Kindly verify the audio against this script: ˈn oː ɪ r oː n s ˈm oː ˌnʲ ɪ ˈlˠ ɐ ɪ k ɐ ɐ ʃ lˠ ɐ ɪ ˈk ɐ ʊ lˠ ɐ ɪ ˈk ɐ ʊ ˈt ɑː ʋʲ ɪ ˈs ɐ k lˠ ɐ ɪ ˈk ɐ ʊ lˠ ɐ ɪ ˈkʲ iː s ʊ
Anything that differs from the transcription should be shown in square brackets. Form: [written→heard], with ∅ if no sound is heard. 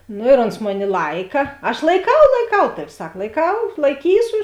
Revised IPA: ˈn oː ɪ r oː n s ˈm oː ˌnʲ ɪ ˈlˠ ɐ ɪ k ɐ ɐ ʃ lˠ ɐ ɪ ˈk ɐ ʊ lˠ ɐ ɪ ˈk ɐ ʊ ˈt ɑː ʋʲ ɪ ˈs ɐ k lˠ ɐ ɪ ˈk ɐ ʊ lˠ ɐ ɪ ˈkʲ iː s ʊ